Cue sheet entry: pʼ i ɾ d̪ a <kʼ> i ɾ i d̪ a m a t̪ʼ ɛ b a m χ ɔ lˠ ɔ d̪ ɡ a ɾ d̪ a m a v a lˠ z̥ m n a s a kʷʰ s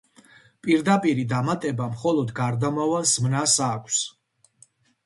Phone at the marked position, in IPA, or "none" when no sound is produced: pʼ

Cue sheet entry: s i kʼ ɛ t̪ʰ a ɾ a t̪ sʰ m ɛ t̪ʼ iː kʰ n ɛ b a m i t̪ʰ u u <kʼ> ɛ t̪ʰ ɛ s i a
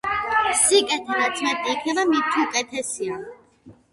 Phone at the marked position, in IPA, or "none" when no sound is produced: kʼ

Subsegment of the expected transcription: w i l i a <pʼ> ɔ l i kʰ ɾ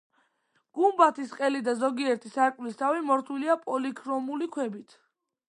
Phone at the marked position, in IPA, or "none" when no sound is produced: pʼ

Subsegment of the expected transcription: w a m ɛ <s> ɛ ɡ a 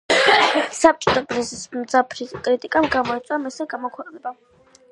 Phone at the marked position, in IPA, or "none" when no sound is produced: s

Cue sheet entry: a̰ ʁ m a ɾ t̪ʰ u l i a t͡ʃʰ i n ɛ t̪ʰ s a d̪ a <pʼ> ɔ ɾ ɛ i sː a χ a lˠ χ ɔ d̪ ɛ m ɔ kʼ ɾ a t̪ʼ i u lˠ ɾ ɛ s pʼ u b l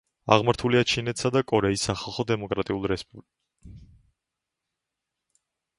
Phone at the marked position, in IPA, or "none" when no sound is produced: kʼ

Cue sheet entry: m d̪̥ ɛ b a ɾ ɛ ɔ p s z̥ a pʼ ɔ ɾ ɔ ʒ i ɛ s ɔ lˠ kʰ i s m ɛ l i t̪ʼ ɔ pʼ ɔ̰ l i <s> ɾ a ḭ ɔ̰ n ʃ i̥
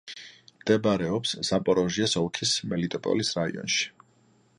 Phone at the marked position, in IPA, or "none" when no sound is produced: s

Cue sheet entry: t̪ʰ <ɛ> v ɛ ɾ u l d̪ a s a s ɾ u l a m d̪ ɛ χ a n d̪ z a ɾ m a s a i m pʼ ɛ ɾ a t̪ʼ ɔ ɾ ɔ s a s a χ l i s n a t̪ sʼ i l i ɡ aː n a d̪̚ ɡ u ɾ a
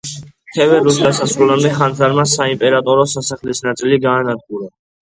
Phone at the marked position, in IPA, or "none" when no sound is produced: ɛ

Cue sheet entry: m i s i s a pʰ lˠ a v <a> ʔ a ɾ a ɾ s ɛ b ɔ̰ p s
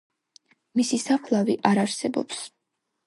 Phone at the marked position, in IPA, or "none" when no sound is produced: i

